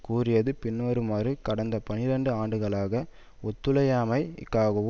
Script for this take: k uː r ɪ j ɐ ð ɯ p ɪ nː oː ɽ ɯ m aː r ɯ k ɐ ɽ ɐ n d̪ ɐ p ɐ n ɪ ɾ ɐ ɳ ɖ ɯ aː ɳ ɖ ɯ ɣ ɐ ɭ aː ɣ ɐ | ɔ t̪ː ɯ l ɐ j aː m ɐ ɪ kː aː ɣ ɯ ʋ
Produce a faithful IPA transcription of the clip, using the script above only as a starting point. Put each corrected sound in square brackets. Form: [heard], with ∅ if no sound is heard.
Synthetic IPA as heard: k uː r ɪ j ɐ ð ɯ p ɪ nː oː [ɾ] ɯ m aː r ɯ k ɐ ɽ ɐ n d̪ ɐ p ɐ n ɪ ɾ ɐ ɳ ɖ ɯ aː ɳ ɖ ɯ ɣ ɐ ɭ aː ɣ ɐ | ɔ t̪ː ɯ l ɐ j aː m ɐ ɪ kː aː ɣ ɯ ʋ